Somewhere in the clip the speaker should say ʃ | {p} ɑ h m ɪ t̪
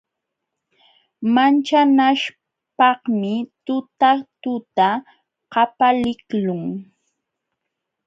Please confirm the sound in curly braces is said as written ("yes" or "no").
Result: yes